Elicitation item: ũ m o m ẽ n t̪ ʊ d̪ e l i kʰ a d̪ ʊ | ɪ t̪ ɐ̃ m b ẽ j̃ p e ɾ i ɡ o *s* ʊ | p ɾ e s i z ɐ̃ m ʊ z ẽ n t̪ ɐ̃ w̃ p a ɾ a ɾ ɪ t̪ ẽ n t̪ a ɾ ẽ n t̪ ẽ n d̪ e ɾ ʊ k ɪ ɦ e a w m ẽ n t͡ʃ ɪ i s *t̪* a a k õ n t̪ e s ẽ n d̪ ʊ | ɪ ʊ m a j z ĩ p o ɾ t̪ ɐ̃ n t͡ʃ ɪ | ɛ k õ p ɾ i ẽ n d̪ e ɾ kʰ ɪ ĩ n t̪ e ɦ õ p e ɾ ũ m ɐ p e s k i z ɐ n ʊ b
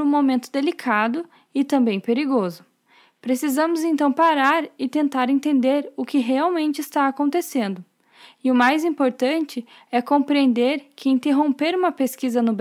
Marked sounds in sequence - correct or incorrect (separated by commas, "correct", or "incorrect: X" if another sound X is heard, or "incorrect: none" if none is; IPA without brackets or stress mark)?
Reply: incorrect: z, correct